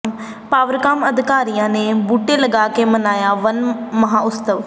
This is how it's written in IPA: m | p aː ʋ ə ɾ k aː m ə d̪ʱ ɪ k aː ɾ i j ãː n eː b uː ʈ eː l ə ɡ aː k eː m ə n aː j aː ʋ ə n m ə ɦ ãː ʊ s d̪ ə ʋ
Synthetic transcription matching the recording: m | p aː ʋ ə ɾ k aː m ə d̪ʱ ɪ k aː ɾ i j ãː n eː b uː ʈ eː l ə ɡ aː k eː m ə n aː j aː ʋ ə n m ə ɦ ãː ʊ s t̪ ə ʋ